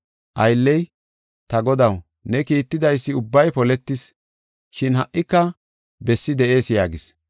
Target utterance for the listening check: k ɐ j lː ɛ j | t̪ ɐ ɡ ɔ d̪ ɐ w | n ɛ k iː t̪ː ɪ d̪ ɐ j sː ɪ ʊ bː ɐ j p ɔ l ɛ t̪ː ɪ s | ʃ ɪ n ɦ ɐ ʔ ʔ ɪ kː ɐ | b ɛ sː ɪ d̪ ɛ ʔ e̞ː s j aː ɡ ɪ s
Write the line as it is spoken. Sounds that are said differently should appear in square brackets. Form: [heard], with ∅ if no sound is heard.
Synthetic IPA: [ʔ] ɐ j lː ɛ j | t̪ ɐ ɡ ɔ d̪ ɐ w | n ɛ k iː t̪ː ɪ d̪ ɐ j sː ɪ ʊ bː ɐ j p ɔ l ɛ t̪ː ɪ s | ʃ ɪ n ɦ ɐ ʔ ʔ ɪ kː ɐ | b ɛ sː ɪ d̪ ɛ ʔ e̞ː s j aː ɡ ɪ s